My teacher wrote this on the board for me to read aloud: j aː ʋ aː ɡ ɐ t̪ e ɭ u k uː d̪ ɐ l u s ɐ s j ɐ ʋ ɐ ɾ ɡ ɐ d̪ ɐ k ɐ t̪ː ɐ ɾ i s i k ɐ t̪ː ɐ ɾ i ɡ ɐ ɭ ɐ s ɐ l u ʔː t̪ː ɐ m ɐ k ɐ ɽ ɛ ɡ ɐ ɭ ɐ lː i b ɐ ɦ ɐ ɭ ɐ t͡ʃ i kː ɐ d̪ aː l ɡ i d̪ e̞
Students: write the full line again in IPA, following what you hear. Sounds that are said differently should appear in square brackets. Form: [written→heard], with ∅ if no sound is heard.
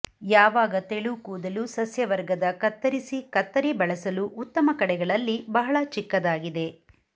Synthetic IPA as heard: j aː ʋ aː ɡ ɐ t̪ e ɭ u k uː d̪ ɐ l u s ɐ s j ɐ ʋ ɐ ɾ ɡ ɐ d̪ ɐ k ɐ t̪ː ɐ ɾ i s i k ɐ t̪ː ɐ ɾ i [ɡ→b] ɐ ɭ ɐ s ɐ l u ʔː t̪ː ɐ m ɐ k ɐ ɽ ɛ ɡ ɐ ɭ ɐ lː i b ɐ ɦ ɐ ɭ ɐ t͡ʃ i kː ɐ d̪ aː [l→∅] ɡ i d̪ e̞

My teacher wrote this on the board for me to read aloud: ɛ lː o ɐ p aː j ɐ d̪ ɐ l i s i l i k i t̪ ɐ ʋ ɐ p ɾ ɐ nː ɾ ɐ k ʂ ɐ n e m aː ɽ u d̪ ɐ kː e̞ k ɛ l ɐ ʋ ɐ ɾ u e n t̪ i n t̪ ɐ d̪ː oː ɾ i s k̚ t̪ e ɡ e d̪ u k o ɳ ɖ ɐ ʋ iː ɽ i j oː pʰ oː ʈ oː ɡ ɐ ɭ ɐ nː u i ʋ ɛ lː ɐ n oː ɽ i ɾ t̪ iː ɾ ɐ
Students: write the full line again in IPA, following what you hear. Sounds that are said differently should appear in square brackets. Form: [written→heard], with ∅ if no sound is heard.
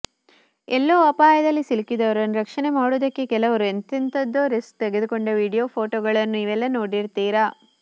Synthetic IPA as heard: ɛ lː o ɐ p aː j ɐ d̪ ɐ [l→lː] i s i l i k i [t̪→d̪] ɐ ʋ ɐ [p→∅] ɾ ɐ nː ɾ ɐ k ʂ ɐ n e m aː ɽ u d̪ ɐ kː e̞ k ɛ l ɐ ʋ ɐ ɾ u e n t̪ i n t̪ ɐ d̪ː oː ɾ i s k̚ t̪ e ɡ e d̪ u k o ɳ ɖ ɐ ʋ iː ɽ i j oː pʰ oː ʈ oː ɡ ɐ ɭ ɐ nː u i ʋ ɛ lː ɐ n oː ɽ i ɾ t̪ iː ɾ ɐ

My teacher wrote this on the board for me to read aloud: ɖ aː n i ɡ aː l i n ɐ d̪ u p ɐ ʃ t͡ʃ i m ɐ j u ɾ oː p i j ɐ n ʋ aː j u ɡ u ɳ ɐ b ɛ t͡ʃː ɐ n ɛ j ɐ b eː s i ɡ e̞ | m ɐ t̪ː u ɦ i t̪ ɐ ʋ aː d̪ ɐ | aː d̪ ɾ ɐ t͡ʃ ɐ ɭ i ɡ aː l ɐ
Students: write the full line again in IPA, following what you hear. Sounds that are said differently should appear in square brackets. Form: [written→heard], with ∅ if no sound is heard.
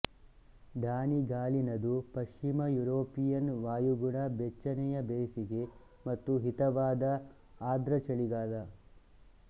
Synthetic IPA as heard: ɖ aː n i ɡ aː l i n ɐ d̪ u p ɐ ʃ t͡ʃ i m ɐ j u ɾ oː p i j ɐ n ʋ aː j u ɡ u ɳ ɐ b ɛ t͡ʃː ɐ n ɛ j ɐ b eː s i ɡ e̞ | m ɐ t̪ː u ɦ i t̪ ɐ ʋ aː d̪ ɐ | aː d̪ ɾ ɐ t͡ʃ ɐ ɭ i ɡ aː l ɐ

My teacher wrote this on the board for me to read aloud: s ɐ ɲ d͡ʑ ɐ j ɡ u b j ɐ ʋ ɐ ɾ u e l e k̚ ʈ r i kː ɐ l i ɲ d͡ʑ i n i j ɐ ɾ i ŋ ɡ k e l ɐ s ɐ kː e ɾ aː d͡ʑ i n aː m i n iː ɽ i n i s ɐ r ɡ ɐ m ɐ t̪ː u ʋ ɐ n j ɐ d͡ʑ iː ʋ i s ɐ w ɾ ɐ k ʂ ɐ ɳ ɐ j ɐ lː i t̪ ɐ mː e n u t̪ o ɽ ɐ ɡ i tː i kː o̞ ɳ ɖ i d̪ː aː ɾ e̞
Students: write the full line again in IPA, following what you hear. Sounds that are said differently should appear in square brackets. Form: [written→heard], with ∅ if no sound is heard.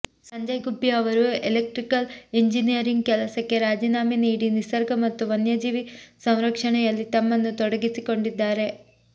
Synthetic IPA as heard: s ɐ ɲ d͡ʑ ɐ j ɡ u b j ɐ ʋ ɐ ɾ u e l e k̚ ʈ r i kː ɐ l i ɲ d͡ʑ i n i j ɐ ɾ i ŋ ɡ k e l ɐ s ɐ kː e ɾ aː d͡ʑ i n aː m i n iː ɽ i n i s ɐ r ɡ ɐ m ɐ t̪ː u ʋ ɐ n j ɐ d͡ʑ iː ʋ i s ɐ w ɾ ɐ k ʂ ɐ ɳ ɐ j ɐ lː i t̪ ɐ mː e [n→nː] u t̪ o ɽ ɐ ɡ i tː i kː o̞ ɳ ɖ i d̪ː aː ɾ e̞

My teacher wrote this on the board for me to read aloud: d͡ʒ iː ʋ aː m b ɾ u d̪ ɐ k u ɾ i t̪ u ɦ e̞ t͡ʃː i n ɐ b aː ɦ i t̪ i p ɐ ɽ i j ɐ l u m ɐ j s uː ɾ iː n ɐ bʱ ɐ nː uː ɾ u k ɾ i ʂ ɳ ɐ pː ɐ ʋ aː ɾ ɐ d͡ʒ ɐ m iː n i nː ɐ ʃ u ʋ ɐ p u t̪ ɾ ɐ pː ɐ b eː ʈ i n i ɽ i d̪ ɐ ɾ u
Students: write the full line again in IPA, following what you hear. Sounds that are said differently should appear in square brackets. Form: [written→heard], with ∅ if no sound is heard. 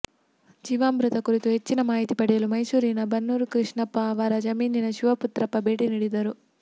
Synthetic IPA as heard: d͡ʒ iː ʋ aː m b ɾ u [d̪→t̪] ɐ k u ɾ i t̪ u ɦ e̞ t͡ʃː i n ɐ [b→m] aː ɦ i t̪ i p ɐ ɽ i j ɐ l u m ɐ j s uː ɾ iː n ɐ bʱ ɐ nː uː ɾ u k ɾ i ʂ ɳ ɐ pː ɐ ʋ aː ɾ ɐ d͡ʒ ɐ m iː n i [nː→n] ɐ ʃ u ʋ ɐ p u t̪ ɾ ɐ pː ɐ b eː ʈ i n i ɽ i d̪ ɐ ɾ u

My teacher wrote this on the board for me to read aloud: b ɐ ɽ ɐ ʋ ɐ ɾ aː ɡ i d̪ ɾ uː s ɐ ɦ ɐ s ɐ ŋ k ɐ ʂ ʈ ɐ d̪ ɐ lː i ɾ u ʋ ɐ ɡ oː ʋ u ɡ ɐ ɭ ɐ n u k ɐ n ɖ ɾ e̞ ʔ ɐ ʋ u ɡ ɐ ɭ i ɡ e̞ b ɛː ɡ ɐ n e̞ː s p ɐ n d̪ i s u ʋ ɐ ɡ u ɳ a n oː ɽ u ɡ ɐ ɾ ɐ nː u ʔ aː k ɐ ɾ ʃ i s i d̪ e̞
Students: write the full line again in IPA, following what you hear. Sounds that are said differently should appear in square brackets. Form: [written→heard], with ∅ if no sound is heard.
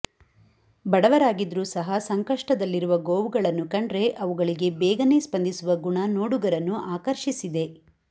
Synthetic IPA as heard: b ɐ ɽ ɐ ʋ ɐ ɾ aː ɡ i d̪ ɾ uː s ɐ ɦ ɐ s ɐ ŋ k ɐ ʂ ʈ ɐ d̪ ɐ lː i ɾ u ʋ ɐ ɡ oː ʋ u ɡ ɐ ɭ ɐ [n→nː] u k ɐ [n→ɳ] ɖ ɾ e̞ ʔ ɐ ʋ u ɡ ɐ ɭ i ɡ e̞ b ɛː ɡ ɐ n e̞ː s p ɐ n d̪ i s u ʋ ɐ ɡ u ɳ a n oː ɽ u ɡ ɐ ɾ ɐ nː u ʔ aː k ɐ ɾ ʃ i s i d̪ e̞

